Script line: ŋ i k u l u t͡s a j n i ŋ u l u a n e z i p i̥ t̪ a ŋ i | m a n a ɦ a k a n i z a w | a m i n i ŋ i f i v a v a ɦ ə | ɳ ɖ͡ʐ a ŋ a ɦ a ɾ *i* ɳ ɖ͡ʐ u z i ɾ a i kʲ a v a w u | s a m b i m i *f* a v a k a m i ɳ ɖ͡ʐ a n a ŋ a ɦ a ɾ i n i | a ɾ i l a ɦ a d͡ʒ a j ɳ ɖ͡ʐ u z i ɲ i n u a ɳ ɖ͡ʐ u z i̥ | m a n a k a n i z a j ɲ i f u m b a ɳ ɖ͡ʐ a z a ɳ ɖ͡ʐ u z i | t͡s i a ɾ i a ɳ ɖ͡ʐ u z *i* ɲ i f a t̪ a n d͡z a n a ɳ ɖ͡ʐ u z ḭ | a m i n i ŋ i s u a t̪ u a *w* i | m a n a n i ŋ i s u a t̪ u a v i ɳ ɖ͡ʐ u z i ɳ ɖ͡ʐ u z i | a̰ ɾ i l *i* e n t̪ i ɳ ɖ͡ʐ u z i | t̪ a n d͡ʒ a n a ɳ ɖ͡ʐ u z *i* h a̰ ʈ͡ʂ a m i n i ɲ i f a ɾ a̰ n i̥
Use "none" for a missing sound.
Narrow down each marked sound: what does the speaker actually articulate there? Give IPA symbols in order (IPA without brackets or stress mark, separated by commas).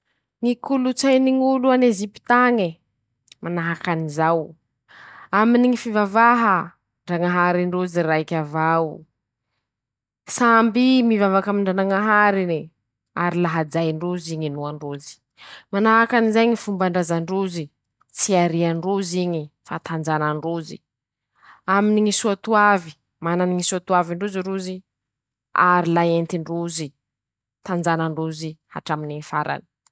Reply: i, v, i, v, a, i